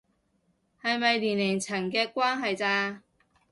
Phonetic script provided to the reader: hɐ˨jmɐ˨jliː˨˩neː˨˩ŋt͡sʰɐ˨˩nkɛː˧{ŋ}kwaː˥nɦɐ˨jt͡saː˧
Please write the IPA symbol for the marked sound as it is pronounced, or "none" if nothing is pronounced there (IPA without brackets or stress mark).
none